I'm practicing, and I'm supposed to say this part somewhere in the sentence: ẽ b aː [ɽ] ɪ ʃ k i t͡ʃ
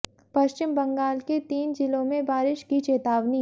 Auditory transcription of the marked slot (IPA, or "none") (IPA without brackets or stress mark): ɾ